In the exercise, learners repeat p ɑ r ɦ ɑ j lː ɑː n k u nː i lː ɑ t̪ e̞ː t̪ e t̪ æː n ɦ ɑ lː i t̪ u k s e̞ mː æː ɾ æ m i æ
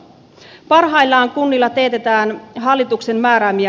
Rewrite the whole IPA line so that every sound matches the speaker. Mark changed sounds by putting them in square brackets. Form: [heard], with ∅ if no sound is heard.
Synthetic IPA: p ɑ r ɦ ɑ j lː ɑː [ŋ] k u nː i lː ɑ t̪ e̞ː t̪ e t̪ æː n ɦ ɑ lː i t̪ u k s e̞ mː æː ɾ æ m i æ